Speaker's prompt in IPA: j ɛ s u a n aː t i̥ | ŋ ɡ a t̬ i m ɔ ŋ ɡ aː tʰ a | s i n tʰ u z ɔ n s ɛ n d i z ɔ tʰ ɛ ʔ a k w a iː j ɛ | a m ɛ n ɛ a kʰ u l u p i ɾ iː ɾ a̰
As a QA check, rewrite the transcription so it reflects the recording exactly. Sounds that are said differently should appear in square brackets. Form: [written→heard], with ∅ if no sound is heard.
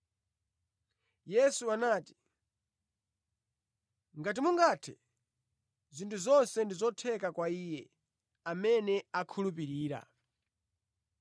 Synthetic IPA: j ɛ s u a n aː t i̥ | ŋ ɡ a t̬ i m [ɔ→u] ŋ ɡ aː tʰ [a→ɛ] | [s→z] i n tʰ u z ɔ n s ɛ n d i z ɔ tʰ ɛ [ʔ→k] a k w a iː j ɛ | a m ɛ n ɛ a kʰ u l u p i ɾ iː ɾ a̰